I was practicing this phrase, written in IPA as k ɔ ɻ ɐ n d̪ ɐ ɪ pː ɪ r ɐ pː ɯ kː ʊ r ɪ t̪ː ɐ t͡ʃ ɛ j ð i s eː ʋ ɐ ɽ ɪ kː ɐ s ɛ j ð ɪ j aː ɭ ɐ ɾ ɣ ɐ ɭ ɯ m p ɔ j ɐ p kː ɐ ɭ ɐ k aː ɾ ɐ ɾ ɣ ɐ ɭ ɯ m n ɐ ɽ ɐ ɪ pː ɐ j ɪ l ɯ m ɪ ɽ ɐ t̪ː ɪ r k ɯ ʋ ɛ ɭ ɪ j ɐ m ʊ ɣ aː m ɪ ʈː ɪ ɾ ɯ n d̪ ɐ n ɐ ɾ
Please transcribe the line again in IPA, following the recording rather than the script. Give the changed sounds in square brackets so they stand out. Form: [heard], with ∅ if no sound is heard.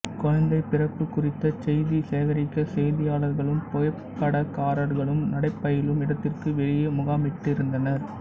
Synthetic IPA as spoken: k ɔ ɻ ɐ n d̪ ɐ ɪ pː ɪ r ɐ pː ɯ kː ʊ r ɪ t̪ː ɐ t͡ʃ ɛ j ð i s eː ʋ ɐ [ɾ] ɪ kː ɐ s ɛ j ð ɪ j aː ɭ ɐ ɾ ɣ ɐ ɭ ɯ m p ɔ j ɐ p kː ɐ [ɽ] ɐ k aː ɾ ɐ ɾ ɣ ɐ ɭ ɯ m n ɐ ɽ ɐ ɪ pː ɐ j ɪ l ɯ m ɪ ɽ ɐ t̪ː ɪ r k ɯ ʋ ɛ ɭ ɪ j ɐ m ʊ ɣ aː m ɪ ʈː ɪ ɾ ɯ n d̪ ɐ n ɐ ɾ